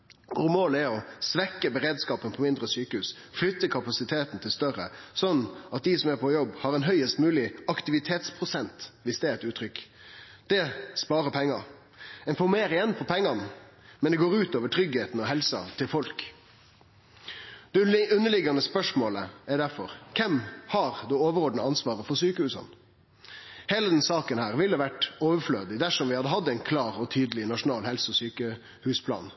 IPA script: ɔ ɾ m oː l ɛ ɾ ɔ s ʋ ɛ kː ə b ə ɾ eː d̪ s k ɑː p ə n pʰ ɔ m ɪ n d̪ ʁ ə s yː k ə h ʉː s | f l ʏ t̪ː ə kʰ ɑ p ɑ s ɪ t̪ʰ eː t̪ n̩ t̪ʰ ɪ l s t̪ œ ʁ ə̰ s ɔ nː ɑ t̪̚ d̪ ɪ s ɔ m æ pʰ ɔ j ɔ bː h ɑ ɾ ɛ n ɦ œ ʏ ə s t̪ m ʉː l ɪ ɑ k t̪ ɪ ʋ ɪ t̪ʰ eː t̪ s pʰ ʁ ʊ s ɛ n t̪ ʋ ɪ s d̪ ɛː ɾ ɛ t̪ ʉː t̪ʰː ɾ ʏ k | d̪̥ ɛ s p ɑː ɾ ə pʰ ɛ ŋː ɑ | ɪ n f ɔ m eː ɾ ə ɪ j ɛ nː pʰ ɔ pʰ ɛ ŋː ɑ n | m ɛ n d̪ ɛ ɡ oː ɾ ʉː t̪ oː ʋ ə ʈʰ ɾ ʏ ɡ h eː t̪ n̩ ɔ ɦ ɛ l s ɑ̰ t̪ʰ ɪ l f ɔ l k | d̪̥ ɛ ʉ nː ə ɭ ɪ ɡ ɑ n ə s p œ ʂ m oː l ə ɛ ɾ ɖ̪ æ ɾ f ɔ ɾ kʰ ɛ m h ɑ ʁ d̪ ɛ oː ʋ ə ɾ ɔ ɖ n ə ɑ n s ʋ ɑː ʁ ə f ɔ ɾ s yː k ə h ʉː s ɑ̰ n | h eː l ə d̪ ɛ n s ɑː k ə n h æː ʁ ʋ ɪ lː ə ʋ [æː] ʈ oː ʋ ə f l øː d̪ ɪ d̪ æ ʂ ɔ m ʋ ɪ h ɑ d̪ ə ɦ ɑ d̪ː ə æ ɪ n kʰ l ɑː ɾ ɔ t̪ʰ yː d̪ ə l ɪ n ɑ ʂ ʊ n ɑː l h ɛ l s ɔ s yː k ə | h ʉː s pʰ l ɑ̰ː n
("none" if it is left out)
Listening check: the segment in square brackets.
æ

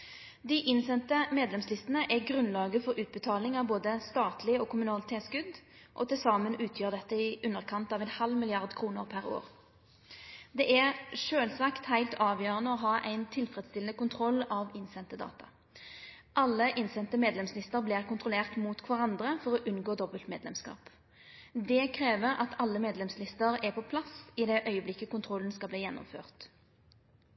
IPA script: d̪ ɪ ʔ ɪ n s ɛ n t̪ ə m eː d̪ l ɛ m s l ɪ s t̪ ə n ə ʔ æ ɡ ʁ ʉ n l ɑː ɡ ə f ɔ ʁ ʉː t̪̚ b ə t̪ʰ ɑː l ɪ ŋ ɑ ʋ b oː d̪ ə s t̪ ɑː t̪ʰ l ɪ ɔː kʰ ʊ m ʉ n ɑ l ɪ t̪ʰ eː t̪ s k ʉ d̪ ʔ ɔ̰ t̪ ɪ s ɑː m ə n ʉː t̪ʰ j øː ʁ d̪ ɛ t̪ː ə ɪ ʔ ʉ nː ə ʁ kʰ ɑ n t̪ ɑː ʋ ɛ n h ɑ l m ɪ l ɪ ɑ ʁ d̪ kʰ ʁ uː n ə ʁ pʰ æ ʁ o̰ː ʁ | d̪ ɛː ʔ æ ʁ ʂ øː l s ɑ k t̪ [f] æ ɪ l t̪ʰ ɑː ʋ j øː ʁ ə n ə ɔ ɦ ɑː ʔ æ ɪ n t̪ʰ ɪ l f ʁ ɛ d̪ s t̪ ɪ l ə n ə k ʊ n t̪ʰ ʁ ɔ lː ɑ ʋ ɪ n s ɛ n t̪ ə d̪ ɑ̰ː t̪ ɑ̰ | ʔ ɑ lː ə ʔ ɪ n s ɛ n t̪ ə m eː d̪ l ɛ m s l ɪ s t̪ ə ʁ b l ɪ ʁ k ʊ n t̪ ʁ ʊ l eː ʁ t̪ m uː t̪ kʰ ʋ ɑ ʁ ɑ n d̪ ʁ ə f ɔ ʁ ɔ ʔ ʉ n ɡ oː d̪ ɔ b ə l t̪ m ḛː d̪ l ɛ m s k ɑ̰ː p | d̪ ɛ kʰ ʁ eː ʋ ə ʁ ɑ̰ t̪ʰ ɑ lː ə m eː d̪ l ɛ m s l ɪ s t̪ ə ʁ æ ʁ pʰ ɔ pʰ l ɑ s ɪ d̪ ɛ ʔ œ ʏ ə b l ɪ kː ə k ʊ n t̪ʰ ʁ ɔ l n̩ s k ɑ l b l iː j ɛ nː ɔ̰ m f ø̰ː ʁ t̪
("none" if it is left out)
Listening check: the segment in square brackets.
h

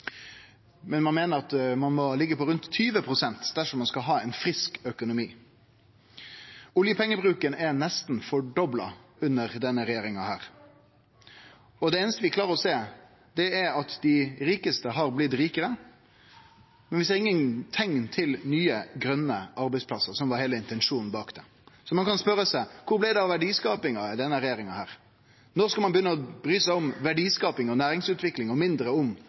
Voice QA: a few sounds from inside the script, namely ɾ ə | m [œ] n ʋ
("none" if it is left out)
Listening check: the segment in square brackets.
ɛ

